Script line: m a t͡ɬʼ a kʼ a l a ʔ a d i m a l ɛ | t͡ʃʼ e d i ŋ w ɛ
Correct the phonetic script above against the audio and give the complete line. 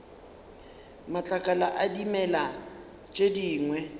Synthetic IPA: m a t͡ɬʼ a kʼ a l a ʔ a d i m ɛ l a | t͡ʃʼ e d iː ŋ w ɛ